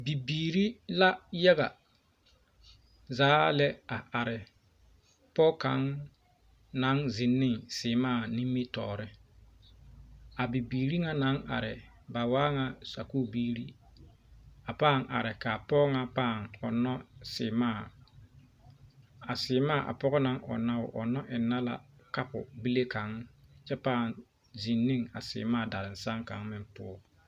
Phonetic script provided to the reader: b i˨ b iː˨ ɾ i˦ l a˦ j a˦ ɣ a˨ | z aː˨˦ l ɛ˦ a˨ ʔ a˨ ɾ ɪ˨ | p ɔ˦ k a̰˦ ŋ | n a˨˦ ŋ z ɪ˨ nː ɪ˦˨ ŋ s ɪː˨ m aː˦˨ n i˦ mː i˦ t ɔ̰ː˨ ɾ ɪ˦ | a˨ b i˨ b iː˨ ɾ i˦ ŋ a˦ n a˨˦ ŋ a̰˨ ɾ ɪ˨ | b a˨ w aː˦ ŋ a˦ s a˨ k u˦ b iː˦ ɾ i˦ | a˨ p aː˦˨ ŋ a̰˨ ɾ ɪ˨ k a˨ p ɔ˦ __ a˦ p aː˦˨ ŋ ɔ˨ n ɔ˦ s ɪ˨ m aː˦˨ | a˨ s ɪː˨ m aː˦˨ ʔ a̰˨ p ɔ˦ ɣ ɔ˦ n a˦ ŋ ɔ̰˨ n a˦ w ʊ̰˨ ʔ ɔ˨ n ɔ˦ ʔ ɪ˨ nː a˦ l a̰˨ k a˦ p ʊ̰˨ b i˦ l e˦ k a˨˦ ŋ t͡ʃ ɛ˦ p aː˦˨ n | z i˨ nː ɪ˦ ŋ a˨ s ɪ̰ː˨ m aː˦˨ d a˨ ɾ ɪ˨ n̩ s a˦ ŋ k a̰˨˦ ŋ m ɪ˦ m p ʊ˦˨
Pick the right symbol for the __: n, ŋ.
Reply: ŋ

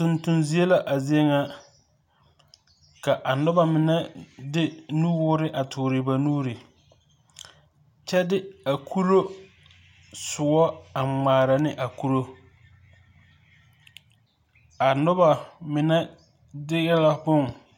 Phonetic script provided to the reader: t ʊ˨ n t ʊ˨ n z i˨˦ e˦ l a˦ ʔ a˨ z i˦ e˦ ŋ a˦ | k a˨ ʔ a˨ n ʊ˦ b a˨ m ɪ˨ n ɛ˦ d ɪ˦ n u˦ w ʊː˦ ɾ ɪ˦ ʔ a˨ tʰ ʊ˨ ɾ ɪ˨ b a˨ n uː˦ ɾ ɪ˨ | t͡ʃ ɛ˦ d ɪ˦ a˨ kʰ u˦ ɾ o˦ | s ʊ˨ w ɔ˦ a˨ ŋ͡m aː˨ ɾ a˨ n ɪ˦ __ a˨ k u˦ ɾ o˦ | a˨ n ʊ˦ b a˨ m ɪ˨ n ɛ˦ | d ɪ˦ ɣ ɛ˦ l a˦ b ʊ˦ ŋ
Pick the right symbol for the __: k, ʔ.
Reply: ʔ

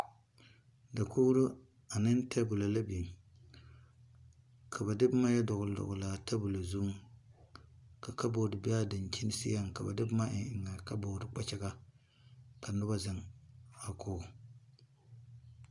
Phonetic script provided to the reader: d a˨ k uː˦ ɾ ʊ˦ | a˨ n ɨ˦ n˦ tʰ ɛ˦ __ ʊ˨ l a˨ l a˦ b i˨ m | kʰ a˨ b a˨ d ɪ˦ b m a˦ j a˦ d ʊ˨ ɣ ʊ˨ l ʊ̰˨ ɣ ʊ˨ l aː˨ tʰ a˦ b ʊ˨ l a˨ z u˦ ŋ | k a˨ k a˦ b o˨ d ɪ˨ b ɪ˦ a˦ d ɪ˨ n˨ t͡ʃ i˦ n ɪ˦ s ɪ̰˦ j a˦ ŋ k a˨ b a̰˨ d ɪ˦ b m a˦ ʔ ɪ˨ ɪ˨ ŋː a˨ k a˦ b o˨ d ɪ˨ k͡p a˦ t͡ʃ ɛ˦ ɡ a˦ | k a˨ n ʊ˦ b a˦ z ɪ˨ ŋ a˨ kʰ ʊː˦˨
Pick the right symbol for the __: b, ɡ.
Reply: b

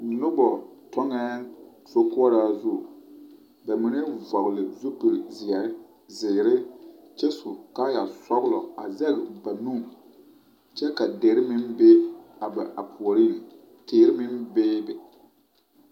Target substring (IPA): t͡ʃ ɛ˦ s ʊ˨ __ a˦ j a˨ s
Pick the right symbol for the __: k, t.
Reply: k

